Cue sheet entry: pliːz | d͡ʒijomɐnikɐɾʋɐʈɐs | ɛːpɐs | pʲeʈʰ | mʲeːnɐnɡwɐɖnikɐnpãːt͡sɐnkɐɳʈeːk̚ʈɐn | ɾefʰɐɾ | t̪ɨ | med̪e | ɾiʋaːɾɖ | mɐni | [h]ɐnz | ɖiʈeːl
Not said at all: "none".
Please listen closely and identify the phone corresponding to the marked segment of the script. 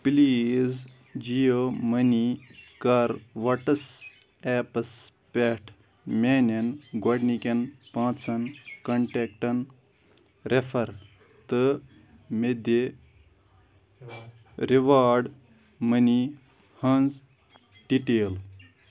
h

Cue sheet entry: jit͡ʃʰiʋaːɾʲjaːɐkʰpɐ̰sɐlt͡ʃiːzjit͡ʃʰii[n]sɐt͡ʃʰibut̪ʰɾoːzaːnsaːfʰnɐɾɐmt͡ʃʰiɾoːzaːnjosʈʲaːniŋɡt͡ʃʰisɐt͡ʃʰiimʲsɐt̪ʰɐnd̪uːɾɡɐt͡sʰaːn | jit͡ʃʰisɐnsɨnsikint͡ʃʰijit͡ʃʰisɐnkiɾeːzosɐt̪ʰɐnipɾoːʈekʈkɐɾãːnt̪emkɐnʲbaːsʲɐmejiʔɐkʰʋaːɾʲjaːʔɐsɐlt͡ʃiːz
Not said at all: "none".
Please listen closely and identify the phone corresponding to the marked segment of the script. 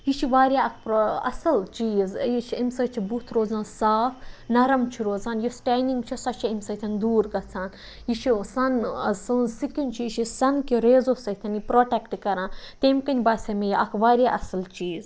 m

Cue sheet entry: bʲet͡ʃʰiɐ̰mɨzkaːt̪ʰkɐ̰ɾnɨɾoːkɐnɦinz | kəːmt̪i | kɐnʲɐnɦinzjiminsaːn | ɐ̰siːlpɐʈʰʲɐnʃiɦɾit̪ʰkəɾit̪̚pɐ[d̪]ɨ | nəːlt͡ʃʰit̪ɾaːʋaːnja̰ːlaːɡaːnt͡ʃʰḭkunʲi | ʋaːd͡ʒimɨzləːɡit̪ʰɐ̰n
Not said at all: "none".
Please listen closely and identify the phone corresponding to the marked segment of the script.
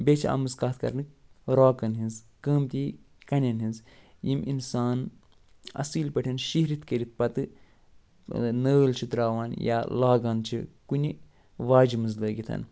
t̪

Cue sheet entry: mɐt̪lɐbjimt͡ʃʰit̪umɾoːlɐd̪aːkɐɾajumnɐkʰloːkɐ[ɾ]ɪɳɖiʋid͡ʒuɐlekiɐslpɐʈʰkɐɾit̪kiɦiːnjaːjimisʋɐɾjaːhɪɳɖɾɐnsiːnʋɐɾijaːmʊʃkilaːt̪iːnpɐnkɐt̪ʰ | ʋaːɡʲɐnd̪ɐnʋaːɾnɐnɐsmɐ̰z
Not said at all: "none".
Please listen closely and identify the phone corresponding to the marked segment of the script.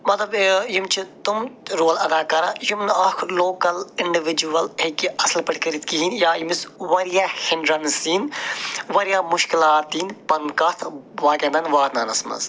l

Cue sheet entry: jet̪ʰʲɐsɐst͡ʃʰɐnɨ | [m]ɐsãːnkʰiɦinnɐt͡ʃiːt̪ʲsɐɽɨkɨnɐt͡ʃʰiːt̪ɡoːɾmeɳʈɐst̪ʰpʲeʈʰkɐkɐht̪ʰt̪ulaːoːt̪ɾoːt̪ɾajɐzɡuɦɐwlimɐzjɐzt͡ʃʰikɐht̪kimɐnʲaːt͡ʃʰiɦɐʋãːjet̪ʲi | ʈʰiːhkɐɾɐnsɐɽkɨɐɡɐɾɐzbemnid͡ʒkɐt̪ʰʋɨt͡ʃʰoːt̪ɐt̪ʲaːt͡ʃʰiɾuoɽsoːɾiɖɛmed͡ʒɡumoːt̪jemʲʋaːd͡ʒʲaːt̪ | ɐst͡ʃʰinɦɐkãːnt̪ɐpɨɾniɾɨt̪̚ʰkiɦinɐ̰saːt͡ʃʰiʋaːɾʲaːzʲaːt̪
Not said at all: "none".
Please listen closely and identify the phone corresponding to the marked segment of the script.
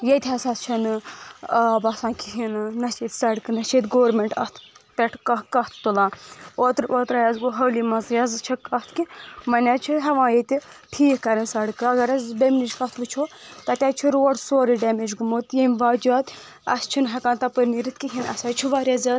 b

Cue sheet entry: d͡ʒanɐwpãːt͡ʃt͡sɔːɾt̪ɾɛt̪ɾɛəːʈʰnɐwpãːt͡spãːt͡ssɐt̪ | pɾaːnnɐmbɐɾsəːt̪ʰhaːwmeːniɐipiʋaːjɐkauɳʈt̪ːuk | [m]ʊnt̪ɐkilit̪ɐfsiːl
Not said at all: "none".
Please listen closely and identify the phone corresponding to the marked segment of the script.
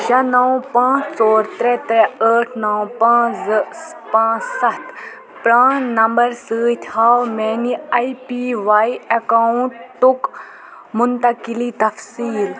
m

